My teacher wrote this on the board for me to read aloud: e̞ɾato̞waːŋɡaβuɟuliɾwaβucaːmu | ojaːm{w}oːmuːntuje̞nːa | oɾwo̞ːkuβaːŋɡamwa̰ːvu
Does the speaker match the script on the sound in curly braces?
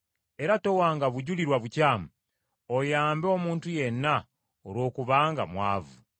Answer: no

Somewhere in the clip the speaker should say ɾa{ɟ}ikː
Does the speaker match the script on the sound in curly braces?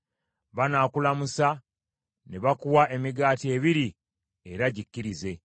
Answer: yes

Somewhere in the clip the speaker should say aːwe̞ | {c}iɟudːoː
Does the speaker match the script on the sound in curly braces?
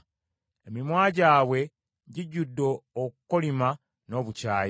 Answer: no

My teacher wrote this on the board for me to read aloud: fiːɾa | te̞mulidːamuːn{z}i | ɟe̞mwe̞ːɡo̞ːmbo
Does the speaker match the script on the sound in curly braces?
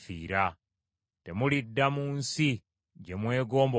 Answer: no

